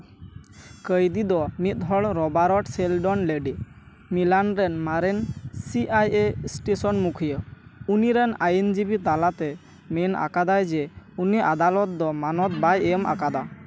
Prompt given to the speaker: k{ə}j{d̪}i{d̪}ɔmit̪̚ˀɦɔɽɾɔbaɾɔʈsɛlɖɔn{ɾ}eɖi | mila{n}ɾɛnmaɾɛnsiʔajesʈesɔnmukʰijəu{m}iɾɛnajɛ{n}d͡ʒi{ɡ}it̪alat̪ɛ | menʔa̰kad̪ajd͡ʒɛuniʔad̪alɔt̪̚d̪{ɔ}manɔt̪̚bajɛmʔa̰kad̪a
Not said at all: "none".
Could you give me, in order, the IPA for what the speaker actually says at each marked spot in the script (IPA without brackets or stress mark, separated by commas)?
ə, d̪, d̪, l, n, n, n, b, ɔ